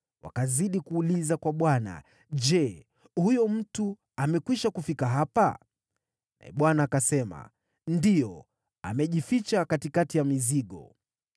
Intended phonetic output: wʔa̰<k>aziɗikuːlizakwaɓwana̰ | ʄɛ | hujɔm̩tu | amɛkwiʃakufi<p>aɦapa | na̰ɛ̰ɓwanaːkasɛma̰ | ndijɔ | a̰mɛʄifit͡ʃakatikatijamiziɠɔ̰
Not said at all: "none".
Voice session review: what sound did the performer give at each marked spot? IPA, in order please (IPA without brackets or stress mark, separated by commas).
k, k